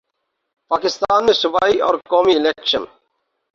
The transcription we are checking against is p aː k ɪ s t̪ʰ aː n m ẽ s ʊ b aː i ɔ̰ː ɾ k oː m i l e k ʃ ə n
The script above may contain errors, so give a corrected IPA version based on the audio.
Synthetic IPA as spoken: p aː k ɪ s t̪ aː n m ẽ s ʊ b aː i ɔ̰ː ɾ k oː m i l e k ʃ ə n